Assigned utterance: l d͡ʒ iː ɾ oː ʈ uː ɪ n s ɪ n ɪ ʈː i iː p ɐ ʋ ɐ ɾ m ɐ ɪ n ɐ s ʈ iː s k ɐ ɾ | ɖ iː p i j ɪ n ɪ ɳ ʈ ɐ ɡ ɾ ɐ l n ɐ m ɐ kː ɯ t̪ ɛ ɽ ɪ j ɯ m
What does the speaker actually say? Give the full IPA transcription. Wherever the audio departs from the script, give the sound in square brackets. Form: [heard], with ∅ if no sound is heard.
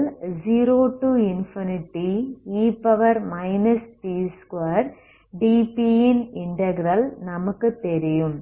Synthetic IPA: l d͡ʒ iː ɾ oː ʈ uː ɪ n [f] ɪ n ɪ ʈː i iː p ɐ ʋ ɐ ɾ m ɐ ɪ n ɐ s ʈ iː s k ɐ ɾ | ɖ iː p i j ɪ n ɪ ɳ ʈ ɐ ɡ ɾ ɐ l n ɐ m ɐ kː ɯ t̪ ɛ [ɾ] ɪ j ɯ m